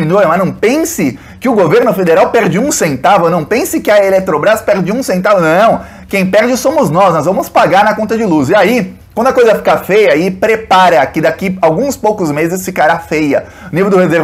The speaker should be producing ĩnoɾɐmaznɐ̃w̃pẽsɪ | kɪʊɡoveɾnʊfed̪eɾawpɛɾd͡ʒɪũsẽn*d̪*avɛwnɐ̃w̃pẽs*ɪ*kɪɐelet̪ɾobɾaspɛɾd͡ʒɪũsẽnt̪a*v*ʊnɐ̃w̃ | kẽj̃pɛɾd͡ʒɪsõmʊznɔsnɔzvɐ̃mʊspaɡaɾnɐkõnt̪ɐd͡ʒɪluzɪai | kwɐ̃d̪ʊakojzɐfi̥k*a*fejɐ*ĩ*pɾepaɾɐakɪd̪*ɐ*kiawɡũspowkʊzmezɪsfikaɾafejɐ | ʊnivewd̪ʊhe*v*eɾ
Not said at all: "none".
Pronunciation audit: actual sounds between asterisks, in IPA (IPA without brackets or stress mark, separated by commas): t̪, ɪ, v, a, i, a, z